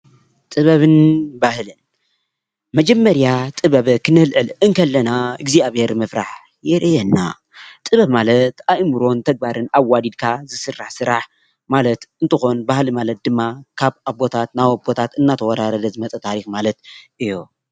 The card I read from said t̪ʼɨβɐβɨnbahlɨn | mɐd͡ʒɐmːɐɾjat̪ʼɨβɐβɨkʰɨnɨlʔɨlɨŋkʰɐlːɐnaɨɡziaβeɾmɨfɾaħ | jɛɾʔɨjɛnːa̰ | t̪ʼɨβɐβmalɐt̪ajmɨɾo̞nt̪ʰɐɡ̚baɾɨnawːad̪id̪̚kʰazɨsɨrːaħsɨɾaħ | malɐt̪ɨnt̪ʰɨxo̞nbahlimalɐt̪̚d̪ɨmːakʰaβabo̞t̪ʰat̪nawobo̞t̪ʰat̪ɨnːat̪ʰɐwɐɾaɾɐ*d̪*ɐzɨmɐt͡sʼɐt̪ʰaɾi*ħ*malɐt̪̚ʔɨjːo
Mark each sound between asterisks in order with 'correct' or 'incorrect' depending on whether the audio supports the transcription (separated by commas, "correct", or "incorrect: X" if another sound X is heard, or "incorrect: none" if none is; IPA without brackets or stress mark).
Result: correct, incorrect: x